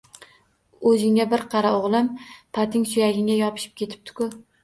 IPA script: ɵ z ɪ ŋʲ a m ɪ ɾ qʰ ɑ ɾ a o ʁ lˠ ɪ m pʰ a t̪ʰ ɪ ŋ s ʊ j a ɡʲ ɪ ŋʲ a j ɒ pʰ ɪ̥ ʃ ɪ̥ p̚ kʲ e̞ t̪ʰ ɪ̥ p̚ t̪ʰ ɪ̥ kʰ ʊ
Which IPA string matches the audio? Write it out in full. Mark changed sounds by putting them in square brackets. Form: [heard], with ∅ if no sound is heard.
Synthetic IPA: ɵ z ɪ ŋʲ a [b] ɪ ɾ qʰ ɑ ɾ a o ʁ lˠ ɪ m pʰ a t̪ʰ ɪ ŋ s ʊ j a ɡʲ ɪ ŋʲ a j ɒ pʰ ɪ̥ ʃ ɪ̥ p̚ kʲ e̞ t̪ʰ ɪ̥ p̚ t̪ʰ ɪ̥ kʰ ʊ